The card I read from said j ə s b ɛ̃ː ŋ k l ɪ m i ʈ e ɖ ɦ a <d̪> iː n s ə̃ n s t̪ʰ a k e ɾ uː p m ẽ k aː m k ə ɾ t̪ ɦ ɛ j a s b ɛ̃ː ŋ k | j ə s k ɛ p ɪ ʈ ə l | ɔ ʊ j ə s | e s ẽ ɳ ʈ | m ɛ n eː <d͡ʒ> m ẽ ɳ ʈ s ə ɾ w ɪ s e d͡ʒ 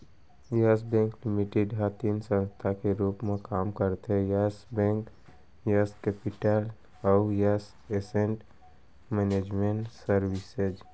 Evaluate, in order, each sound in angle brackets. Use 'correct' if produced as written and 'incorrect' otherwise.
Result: incorrect: t̪, correct

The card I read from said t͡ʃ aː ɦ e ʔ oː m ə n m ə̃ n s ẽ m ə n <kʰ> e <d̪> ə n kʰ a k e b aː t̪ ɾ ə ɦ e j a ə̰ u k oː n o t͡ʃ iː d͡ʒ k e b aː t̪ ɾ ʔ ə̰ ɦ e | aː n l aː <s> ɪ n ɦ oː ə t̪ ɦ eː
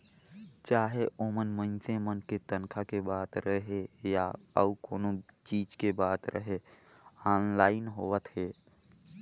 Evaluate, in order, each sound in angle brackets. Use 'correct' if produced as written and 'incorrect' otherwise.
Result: incorrect: k, incorrect: t̪, incorrect: none

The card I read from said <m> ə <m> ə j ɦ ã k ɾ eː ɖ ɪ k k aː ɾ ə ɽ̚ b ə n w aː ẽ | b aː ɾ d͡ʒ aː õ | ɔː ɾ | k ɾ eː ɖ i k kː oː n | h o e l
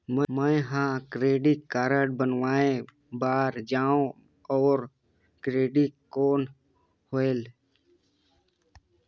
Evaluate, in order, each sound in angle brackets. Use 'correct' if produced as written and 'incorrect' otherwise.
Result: correct, correct

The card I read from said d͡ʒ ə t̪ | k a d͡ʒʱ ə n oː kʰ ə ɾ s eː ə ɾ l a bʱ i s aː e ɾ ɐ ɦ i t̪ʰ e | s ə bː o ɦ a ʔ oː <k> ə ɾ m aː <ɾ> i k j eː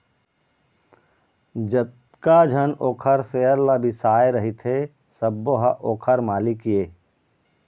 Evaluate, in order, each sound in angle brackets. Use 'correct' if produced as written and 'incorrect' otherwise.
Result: incorrect: kʰ, incorrect: l

